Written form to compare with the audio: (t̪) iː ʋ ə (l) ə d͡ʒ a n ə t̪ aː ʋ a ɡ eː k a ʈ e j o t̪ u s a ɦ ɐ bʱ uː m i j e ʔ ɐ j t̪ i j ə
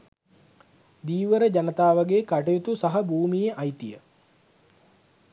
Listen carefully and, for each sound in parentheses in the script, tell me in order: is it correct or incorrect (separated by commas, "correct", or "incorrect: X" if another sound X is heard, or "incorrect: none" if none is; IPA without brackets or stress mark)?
incorrect: d̪, incorrect: ɾ